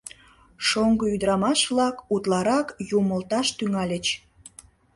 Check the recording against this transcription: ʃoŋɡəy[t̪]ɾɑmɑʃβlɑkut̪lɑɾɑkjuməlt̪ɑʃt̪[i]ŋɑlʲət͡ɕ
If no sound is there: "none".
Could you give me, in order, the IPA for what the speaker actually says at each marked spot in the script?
d̪, y

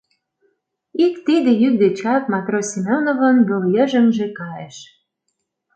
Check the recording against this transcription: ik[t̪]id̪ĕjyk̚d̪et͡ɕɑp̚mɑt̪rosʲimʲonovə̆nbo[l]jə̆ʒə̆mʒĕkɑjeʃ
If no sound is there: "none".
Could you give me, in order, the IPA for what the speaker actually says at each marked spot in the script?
t̪, l

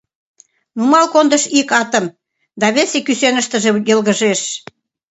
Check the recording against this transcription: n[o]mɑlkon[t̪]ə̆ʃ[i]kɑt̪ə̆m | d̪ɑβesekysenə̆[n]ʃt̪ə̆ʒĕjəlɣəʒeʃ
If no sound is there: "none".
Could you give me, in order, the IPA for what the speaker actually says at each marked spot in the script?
u, d̪, i, none

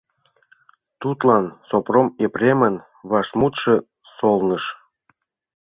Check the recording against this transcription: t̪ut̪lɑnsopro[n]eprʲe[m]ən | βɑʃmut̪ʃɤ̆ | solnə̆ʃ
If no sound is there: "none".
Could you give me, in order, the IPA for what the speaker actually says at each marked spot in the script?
m, m

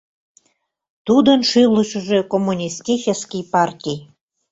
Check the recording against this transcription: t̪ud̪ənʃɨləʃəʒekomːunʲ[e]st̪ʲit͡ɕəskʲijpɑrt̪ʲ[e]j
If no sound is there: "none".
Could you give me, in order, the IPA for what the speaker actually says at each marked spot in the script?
i, i

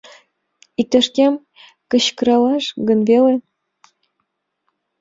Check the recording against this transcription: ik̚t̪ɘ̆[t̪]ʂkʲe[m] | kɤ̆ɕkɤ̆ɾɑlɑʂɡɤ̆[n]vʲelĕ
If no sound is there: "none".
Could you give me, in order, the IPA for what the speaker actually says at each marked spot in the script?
none, m, n

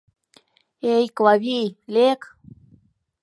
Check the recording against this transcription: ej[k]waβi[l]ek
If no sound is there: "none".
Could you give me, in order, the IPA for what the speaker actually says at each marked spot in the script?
k, l

